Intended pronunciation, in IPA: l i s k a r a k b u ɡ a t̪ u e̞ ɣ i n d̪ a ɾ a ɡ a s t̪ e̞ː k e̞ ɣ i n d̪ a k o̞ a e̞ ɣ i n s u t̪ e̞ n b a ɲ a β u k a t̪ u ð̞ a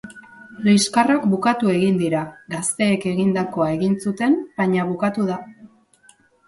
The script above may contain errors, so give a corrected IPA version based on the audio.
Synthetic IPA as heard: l i s k a r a k b u k a t̪ u e̞ ɣ i n d̪ i ɾ a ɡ a s t̪ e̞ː k e̞ ɣ i n d̪ a k o̞ a e̞ ɣ i n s u t̪ e̞ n b a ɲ a β u k a t̪ u ð̞ a